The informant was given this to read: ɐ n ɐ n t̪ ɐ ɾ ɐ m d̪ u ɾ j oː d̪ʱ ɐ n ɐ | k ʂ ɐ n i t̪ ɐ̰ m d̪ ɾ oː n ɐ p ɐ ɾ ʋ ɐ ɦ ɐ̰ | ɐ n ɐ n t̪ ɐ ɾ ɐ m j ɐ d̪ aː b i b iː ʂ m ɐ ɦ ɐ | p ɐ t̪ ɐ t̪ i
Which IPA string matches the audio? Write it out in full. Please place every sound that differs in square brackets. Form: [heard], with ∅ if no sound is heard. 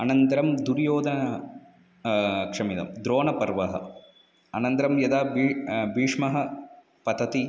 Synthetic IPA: ɐ n ɐ n t̪ ɐ ɾ ɐ m d̪ u ɾ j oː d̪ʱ ɐ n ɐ | k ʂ ɐ [m] i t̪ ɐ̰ m d̪ ɾ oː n ɐ p ɐ ɾ ʋ ɐ ɦ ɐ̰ | ɐ n ɐ n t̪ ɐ ɾ ɐ m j ɐ d̪ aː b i b iː ʂ m ɐ ɦ ɐ | p ɐ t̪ ɐ t̪ i

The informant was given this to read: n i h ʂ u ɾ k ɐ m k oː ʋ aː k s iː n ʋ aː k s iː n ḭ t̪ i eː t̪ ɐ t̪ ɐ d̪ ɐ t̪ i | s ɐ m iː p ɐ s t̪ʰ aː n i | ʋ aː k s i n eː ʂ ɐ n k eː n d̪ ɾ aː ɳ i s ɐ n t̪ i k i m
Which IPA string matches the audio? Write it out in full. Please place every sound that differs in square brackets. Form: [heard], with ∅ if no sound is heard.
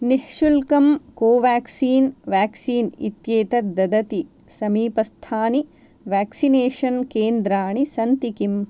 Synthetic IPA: n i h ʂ u [l] k ɐ m k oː ʋ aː k s iː n ʋ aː k s iː n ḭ t̪ [j] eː t̪ ɐ [d̪] ɐ d̪ ɐ t̪ i | s ɐ m iː p ɐ s t̪ʰ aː n i | ʋ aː k s i n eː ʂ ɐ n k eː n d̪ ɾ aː ɳ i s ɐ n t̪ i k i m

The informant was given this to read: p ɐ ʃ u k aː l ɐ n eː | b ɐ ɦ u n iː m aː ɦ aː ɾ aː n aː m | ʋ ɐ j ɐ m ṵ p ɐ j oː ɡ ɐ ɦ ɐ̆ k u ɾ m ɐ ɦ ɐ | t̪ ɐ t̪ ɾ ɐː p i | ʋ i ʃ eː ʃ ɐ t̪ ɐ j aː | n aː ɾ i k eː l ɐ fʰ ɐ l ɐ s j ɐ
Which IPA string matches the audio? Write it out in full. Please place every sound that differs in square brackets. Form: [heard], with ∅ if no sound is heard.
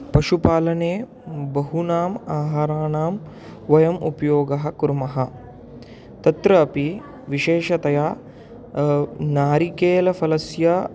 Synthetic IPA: p ɐ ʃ u [p] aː l ɐ n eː | b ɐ ɦ u n [aː] m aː ɦ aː ɾ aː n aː m | ʋ ɐ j ɐ m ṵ p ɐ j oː ɡ ɐ ɦ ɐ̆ k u ɾ m ɐ ɦ ɐ | t̪ ɐ t̪ ɾ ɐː p i | ʋ i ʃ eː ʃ ɐ t̪ ɐ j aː | n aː ɾ i k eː l ɐ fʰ ɐ l ɐ s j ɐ

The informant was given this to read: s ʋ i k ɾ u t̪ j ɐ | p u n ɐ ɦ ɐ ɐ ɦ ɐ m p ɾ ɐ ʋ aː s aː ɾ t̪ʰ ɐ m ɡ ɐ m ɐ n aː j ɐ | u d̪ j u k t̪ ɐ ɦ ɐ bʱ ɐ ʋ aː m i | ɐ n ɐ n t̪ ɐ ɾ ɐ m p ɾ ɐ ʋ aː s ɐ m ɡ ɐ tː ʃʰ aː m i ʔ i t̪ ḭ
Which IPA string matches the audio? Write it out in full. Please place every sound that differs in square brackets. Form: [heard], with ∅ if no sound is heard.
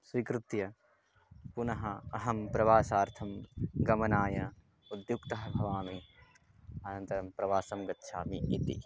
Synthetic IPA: s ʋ i k ɾ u t̪ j ɐ | p u n ɐ ɦ ɐ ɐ ɦ ɐ m p ɾ ɐ ʋ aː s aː ɾ t̪ʰ ɐ m ɡ ɐ m ɐ n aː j ɐ | u d̪ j u k t̪ ɐ ɦ ɐ bʱ ɐ ʋ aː m i | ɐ n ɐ n t̪ ɐ ɾ ɐ m p ɾ ɐ ʋ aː s ɐ m ɡ ɐ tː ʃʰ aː m i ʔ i t̪ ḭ

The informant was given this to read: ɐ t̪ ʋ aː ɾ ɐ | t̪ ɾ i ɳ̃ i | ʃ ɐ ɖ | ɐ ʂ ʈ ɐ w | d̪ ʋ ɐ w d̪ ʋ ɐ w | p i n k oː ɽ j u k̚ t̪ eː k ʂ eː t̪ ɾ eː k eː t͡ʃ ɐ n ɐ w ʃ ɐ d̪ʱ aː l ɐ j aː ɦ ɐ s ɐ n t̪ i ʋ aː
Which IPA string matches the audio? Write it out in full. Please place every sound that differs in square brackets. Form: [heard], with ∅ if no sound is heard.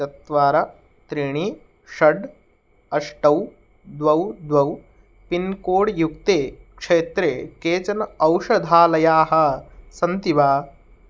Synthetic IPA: ɐ t̪ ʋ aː ɾ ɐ | t̪ ɾ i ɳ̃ i | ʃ ɐ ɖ | ɐ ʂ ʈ ɐ w | d̪ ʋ ɐ w d̪ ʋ ɐ w | p i n k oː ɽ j u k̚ t̪ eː k ʂ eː t̪ ɾ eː k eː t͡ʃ ɐ n ɐ w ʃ ɐ d̪ʱ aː l ɐ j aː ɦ ɐ s ɐ n t̪ i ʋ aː

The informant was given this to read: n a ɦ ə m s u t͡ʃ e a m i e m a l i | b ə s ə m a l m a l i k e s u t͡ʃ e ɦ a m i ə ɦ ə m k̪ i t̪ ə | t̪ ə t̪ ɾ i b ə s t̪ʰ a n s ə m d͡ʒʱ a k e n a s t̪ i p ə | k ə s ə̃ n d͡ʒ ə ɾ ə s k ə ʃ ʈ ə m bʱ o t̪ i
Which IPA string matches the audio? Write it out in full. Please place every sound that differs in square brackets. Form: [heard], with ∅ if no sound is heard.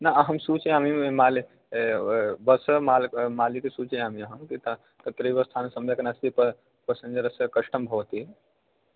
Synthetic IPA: n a ɦ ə m s u t͡ʃ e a m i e m a l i | b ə s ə m a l m a l i k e s u t͡ʃ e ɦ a m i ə ɦ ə m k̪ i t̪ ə | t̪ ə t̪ ɾ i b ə s t̪ʰ a n s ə m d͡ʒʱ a k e n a s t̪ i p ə | [p] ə s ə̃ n d͡ʒ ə ɾ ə s k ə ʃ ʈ ə m bʱ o t̪ i

